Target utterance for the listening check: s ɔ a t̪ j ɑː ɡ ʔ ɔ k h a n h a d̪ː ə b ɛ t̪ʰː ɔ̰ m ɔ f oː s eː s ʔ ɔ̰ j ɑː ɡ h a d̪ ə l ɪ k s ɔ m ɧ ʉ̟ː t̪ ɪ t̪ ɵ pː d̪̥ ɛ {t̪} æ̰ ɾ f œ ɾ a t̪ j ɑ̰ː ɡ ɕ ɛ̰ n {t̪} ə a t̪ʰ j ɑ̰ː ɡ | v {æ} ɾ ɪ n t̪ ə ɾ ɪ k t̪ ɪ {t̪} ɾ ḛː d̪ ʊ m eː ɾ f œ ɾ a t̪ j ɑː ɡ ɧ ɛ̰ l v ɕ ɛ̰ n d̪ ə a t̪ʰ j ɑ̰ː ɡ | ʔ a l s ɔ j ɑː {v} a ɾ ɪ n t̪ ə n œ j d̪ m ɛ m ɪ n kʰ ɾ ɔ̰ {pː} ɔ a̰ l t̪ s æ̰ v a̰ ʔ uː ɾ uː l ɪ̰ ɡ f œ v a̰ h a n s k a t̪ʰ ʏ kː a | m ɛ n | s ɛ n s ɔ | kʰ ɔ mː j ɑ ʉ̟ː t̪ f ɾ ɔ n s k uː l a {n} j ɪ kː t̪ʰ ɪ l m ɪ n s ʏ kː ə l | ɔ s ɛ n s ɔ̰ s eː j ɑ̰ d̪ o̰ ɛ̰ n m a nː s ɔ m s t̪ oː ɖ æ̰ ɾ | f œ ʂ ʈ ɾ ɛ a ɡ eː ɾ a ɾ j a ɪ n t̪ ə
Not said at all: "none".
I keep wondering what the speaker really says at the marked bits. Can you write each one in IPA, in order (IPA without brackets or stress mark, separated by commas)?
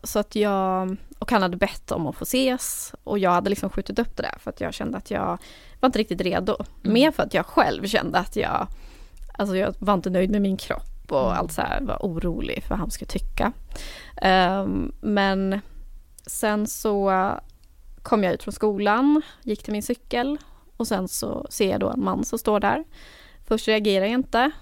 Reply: d̪, d̪, a, t̪, v, pː, n